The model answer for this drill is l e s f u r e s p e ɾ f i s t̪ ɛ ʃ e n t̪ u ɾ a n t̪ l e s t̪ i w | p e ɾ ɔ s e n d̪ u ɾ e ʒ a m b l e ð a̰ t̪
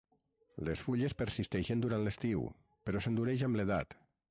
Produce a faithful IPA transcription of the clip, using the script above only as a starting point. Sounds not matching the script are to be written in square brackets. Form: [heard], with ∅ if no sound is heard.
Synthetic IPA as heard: l e s f u [ʎ] e s p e ɾ [s] i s t̪ ɛ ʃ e n [d̪] u ɾ a n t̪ l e s t̪ i w | p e ɾ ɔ s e n d̪ u ɾ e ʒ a m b l e ð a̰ t̪